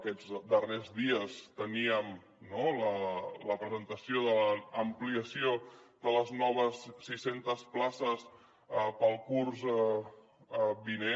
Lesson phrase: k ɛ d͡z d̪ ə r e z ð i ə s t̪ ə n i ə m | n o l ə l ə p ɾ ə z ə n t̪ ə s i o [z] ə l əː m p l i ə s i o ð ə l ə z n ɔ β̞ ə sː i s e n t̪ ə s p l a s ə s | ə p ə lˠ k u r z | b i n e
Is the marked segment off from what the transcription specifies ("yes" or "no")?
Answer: yes